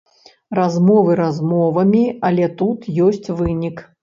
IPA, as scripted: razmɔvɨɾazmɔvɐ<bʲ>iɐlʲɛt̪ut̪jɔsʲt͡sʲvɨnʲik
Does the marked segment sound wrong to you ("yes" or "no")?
yes